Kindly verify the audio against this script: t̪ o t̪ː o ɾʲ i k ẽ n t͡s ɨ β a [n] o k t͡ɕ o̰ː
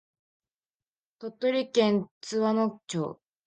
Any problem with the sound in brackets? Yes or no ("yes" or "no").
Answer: no